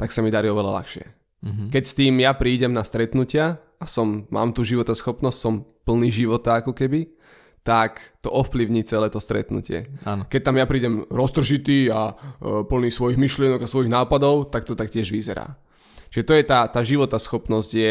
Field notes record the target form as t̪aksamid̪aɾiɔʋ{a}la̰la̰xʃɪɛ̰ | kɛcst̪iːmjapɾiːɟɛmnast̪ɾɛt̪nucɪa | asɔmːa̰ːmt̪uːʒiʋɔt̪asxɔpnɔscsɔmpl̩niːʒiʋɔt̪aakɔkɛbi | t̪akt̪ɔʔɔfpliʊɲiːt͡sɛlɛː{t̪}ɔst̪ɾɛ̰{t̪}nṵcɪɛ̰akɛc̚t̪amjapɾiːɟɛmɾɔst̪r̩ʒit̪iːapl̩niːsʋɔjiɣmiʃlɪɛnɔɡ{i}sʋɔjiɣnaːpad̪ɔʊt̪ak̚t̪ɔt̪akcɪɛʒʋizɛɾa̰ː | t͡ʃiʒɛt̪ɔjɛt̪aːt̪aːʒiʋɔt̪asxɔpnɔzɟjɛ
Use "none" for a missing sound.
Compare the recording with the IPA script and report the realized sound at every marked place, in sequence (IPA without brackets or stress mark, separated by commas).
ɛ, t̪, t̪, a